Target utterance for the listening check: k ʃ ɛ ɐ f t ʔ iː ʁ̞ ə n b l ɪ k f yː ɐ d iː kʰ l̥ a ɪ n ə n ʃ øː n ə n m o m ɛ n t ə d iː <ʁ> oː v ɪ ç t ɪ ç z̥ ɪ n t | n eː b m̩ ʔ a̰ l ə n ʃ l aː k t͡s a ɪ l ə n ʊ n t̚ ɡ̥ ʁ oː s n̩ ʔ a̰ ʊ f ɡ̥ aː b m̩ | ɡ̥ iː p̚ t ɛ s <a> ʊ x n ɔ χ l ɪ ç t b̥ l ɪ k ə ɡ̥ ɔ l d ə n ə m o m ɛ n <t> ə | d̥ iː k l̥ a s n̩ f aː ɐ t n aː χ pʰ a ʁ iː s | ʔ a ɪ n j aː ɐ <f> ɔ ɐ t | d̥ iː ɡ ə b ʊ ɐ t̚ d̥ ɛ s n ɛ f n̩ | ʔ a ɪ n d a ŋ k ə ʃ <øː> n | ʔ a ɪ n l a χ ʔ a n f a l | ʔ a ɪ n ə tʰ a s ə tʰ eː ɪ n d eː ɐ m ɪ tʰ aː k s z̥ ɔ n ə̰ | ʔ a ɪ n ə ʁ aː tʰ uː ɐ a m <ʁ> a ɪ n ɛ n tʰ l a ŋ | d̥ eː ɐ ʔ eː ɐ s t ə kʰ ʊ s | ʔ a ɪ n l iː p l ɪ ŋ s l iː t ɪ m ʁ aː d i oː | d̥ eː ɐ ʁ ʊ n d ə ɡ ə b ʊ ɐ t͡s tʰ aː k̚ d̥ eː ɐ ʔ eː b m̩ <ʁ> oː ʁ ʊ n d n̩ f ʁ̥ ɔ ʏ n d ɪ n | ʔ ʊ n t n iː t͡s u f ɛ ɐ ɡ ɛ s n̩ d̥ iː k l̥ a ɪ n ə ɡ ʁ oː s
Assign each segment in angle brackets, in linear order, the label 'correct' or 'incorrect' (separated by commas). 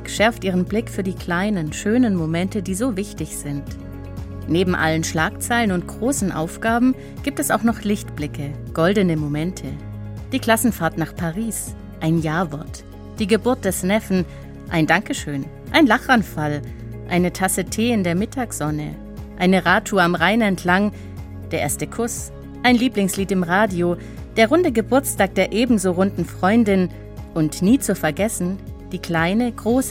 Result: incorrect, correct, incorrect, incorrect, correct, correct, incorrect